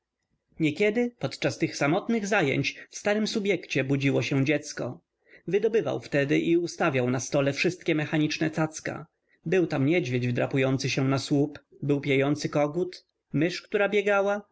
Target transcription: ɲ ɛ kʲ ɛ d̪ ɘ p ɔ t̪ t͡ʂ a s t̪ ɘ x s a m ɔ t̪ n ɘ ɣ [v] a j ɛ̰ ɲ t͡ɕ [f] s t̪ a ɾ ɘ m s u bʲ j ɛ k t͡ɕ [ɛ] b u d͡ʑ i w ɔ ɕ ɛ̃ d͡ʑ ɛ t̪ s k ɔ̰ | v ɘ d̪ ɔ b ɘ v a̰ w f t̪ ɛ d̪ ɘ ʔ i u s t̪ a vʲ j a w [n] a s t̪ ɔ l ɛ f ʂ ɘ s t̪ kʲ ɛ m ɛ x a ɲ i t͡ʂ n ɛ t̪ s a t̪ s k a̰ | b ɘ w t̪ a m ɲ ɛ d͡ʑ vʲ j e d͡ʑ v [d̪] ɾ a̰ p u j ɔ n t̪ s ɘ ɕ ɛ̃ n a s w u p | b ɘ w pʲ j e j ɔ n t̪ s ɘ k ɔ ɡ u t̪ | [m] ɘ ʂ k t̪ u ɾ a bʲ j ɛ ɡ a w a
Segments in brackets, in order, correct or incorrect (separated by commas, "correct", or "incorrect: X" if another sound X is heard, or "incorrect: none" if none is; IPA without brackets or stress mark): incorrect: z, correct, correct, correct, correct, correct